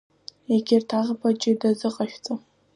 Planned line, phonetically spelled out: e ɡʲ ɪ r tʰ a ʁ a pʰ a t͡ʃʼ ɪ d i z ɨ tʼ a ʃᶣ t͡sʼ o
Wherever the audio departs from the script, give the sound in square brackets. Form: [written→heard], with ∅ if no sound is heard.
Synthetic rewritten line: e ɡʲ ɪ r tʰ a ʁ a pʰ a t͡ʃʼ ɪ d [i→a] z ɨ [tʼ→qʼ] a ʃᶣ t͡sʼ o